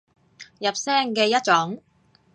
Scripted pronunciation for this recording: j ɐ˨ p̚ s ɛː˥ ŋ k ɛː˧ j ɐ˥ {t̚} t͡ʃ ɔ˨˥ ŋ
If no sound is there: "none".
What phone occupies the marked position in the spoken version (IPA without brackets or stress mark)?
t̚